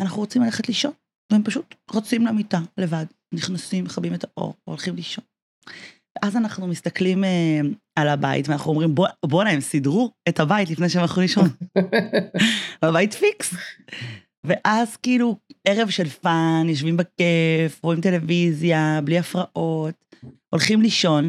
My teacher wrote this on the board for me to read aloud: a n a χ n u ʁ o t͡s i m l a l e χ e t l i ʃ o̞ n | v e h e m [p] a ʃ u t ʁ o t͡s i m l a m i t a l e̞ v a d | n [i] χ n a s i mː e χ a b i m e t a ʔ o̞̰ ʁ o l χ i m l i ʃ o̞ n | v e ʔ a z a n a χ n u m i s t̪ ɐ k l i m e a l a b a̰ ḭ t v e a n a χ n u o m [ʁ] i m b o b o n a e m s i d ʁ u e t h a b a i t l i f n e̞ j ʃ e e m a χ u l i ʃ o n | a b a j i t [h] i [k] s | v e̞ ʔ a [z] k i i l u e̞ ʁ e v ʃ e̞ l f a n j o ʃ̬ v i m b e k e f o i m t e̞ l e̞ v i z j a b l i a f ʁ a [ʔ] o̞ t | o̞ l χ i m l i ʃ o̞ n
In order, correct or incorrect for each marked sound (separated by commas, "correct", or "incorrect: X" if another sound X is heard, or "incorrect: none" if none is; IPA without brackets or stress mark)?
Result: correct, correct, correct, incorrect: f, correct, correct, correct